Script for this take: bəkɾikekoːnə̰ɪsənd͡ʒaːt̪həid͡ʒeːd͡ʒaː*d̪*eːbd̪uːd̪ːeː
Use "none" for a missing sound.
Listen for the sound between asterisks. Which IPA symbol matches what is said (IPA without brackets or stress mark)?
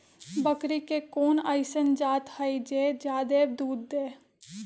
d̪